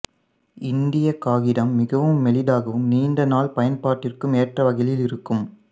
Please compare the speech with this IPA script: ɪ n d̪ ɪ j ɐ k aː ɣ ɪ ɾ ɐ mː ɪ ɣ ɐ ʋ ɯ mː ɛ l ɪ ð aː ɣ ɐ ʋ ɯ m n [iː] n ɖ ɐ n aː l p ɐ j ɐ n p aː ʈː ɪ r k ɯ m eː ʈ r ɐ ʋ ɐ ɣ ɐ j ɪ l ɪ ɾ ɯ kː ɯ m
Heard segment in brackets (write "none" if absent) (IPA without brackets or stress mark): iː